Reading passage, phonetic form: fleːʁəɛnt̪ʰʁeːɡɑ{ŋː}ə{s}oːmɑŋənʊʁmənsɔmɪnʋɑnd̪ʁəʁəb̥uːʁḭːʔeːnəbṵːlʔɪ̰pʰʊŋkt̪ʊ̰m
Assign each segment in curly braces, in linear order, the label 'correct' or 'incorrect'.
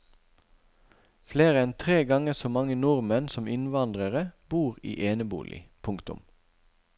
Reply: incorrect, correct

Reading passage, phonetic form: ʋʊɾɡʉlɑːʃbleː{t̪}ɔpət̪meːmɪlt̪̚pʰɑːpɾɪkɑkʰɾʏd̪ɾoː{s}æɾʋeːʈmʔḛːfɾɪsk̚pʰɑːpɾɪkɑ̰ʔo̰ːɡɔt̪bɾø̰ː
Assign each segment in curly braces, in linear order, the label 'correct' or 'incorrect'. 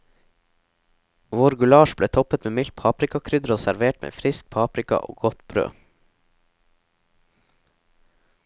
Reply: incorrect, correct

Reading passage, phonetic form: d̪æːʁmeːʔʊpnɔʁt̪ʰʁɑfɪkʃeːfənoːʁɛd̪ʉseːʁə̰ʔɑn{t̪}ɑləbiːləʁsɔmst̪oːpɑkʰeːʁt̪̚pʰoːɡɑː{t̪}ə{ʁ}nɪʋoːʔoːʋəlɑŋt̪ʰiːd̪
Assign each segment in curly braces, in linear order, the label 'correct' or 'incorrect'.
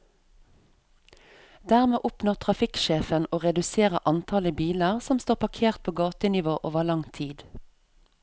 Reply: incorrect, correct, incorrect

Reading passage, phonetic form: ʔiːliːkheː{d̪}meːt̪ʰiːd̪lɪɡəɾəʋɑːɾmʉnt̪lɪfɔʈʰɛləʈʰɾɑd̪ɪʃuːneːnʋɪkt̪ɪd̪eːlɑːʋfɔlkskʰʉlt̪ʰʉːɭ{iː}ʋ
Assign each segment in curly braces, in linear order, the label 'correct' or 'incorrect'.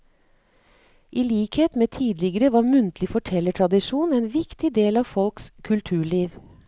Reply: incorrect, correct

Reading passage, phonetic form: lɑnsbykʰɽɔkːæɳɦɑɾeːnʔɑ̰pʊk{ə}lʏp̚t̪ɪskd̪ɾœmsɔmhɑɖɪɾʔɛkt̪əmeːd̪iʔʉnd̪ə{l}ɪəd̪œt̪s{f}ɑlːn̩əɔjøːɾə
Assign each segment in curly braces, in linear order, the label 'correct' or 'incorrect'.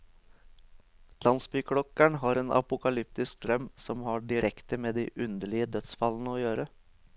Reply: incorrect, incorrect, correct

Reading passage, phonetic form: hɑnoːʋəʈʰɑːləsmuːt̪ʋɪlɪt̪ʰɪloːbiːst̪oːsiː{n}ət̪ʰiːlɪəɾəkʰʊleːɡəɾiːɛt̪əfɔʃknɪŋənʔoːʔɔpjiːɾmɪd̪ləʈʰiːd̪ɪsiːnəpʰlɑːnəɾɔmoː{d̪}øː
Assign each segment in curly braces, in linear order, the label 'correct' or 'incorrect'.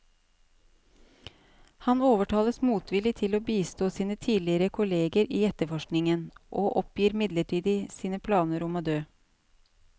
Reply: correct, correct

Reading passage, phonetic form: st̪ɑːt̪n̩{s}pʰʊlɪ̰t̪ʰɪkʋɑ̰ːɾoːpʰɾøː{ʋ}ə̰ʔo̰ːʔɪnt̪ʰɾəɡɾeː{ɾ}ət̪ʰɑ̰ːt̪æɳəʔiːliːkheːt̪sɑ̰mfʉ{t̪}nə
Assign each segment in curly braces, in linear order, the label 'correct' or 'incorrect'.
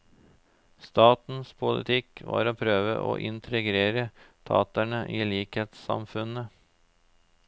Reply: correct, correct, correct, incorrect

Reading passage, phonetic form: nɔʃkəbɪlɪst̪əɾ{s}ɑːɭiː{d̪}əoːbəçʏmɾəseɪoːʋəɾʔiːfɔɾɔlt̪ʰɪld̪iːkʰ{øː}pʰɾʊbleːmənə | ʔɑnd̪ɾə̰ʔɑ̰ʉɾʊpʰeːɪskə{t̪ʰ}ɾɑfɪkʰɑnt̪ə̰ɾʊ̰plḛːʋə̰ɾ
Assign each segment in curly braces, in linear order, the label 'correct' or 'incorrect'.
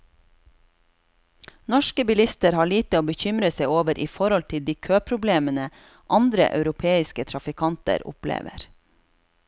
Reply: incorrect, incorrect, correct, correct

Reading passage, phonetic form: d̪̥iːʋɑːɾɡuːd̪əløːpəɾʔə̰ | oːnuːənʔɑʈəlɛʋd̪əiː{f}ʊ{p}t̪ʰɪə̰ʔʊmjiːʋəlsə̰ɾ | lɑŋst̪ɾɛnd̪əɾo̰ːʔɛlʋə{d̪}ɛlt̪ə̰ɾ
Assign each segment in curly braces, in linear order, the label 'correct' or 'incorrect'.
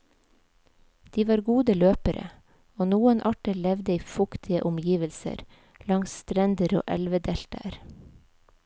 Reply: correct, incorrect, correct

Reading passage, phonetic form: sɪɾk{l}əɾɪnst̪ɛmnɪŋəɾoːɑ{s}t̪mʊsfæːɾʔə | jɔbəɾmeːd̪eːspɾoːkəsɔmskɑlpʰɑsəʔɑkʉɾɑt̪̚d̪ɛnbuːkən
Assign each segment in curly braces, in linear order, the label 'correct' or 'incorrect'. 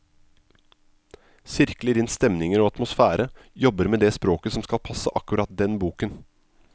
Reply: correct, incorrect

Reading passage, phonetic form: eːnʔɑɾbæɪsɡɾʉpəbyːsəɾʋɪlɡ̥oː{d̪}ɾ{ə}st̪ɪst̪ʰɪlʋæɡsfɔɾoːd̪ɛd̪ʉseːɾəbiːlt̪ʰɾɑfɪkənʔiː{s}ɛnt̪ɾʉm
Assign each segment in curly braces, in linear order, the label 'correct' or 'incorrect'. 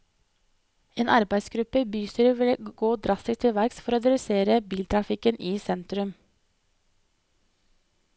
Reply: correct, incorrect, correct

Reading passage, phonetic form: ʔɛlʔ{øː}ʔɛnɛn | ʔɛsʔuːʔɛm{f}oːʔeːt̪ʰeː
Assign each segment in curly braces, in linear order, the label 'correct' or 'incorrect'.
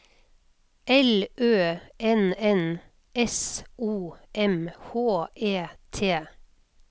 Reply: correct, incorrect

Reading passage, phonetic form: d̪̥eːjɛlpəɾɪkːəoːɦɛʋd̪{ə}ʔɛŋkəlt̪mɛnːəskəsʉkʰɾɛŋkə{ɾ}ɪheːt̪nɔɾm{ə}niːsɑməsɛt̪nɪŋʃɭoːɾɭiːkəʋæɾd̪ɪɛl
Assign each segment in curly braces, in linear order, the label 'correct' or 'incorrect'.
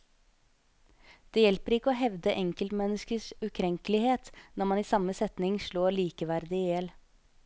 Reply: correct, incorrect, incorrect

